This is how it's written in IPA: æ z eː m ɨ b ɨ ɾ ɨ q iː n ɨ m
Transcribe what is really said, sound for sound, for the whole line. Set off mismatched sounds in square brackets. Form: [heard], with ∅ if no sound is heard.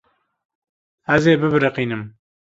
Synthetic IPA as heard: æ z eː [b] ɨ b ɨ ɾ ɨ q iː n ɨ m